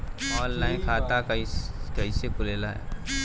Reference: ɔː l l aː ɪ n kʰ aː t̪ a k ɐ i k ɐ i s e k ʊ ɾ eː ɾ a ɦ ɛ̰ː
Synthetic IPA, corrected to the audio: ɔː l l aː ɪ n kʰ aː t̪ a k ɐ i k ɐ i s e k ʊ l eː l a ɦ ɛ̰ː

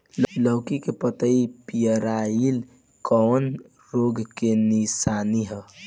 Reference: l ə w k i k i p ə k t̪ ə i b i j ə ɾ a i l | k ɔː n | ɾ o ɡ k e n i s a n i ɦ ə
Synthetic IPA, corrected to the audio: l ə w k i k e p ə t̪ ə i p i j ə ɾ a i l | k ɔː n | ɾ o ɡ k e n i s a n i ɦ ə

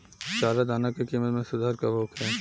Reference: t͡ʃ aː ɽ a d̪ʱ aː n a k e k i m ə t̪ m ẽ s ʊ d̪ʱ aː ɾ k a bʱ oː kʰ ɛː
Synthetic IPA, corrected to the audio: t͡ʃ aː ɾ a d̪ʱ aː n a k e k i m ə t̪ m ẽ s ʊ d̪ʱ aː ɾ k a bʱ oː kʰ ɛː

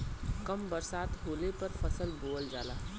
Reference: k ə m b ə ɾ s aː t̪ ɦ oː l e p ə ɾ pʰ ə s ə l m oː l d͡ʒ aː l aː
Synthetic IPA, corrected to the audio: k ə m b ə ɾ s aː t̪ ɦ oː l e p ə ɾ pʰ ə s ə l b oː l d͡ʒ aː l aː

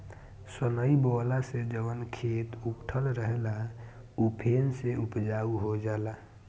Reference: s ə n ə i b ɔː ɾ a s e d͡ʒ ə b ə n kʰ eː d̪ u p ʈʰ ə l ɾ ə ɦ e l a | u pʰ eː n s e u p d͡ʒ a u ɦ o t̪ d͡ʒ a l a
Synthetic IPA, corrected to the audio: s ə n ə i b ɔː l a s e d͡ʒ ə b ə n kʰ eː t̪ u p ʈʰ ə l ɾ ə ɦ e l a | u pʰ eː n s e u p d͡ʒ a u ɦ o d͡ʒ a l a

